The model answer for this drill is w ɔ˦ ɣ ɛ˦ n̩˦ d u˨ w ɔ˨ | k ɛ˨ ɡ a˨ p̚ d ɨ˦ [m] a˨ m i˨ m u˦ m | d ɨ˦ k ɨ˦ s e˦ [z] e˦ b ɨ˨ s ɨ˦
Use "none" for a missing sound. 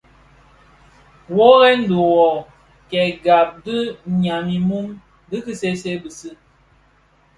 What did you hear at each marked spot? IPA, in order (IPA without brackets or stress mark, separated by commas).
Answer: ɲ, s